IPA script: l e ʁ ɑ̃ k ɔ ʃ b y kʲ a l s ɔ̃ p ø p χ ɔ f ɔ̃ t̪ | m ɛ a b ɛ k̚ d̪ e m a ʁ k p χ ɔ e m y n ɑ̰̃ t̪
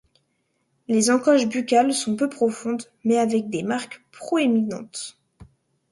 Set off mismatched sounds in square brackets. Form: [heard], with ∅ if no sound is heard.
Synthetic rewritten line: l e [z] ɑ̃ k ɔ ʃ b y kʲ a l s ɔ̃ p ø p χ ɔ f ɔ̃ [d̪] | m ɛ a [v] ɛ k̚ d̪ e m a ʁ k p χ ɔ e m [i] n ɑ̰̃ t̪